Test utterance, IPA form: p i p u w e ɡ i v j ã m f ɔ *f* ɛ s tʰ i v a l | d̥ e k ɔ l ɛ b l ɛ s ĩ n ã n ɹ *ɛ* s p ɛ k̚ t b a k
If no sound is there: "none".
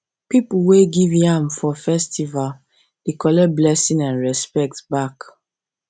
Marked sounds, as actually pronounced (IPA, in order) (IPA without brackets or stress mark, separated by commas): f, ɛ